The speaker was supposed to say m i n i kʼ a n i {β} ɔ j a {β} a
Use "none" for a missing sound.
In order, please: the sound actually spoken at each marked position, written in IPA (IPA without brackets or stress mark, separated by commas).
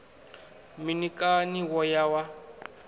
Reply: w, w